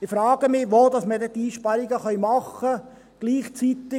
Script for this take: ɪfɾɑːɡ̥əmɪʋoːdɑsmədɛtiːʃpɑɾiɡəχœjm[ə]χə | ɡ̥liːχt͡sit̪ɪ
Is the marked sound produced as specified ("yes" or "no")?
no